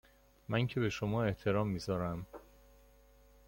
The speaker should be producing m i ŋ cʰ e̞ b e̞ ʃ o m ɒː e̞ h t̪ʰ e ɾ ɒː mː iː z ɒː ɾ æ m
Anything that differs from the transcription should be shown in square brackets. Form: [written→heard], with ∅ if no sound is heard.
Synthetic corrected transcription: m [i→æ] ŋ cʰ e̞ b e̞ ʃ o m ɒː e̞ h t̪ʰ e ɾ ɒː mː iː z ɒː ɾ æ m